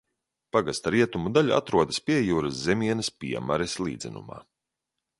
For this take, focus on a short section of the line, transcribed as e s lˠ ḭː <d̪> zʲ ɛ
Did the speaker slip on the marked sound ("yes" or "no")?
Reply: no